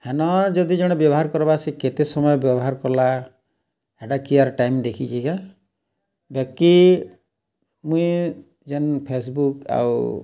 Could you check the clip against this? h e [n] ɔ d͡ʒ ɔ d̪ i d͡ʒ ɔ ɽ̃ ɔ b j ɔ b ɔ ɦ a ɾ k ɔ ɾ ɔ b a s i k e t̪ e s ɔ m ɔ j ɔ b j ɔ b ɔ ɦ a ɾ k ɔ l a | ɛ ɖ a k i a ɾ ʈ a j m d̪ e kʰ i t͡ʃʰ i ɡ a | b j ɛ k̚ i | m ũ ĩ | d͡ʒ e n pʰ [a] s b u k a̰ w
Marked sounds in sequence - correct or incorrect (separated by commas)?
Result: correct, incorrect